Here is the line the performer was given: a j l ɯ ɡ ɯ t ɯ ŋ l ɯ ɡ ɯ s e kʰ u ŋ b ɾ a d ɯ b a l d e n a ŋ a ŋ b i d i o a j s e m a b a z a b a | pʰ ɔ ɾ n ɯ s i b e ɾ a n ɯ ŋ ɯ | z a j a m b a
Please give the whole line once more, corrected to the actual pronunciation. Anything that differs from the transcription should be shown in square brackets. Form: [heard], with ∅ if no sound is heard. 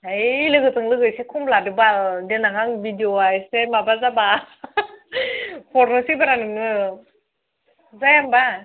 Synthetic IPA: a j l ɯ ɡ ɯ t ɯ ŋ l ɯ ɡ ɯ s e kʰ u [m] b [l] a d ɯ b a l d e n a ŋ a ŋ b i d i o a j s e m a b a z a b a | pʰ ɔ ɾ n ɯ s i b [a] ɾ a n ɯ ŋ ɯ | z a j a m b a